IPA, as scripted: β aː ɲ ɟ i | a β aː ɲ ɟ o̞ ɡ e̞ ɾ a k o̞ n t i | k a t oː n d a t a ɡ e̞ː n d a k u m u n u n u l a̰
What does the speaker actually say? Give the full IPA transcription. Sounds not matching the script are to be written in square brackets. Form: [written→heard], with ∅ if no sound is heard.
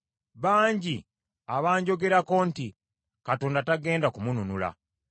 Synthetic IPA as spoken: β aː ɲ ɟ i | a β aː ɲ ɟ o̞ ɡ e̞ ɾ a k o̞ n t i | k a t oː n d a t a ɡ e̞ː n d a k u m u n u n u l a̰